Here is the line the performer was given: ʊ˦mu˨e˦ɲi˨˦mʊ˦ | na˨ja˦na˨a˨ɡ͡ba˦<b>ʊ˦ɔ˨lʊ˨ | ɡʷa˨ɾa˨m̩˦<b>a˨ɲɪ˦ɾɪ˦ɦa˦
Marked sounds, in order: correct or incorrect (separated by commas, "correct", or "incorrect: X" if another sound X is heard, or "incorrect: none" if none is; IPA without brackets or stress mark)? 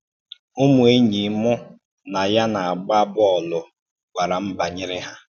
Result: correct, correct